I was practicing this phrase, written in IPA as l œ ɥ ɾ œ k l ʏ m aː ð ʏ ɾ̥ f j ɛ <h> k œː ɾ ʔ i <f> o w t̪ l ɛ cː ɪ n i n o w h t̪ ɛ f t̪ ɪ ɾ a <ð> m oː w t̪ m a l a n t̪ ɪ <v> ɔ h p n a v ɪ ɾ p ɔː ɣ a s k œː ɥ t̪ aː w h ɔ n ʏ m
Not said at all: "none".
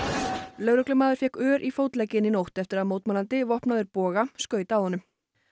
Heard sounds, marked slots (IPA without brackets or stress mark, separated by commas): h, f, ð, v